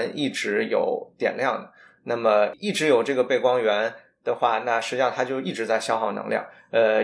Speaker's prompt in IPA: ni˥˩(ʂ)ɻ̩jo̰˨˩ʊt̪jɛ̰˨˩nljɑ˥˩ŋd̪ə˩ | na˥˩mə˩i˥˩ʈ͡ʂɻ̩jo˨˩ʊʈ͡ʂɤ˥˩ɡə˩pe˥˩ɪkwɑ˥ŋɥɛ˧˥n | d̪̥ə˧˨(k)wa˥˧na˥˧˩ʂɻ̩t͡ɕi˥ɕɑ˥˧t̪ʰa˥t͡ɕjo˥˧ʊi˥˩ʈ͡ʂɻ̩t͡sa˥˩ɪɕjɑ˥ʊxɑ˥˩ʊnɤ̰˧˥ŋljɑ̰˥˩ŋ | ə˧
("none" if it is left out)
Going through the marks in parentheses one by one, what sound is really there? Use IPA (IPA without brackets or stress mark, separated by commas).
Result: ʈ͡ʂ, x